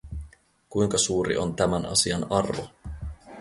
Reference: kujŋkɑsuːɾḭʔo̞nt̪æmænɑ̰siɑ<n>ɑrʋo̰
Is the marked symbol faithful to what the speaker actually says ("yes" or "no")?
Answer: yes